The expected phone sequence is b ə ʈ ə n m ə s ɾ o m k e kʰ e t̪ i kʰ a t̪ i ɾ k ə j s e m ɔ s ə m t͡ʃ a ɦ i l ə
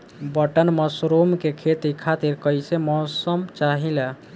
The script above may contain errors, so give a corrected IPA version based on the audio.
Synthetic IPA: b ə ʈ ə n m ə s ɾ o m k e kʰ e t̪ i kʰ a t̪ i ɾ k ə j s e m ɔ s ə m t͡ʃ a ɦ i l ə